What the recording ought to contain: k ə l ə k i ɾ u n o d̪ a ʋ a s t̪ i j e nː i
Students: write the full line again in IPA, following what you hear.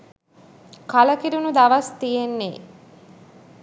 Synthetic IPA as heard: k a l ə k i ɾ u n u d̪ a ʋ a s t̪ i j e nː e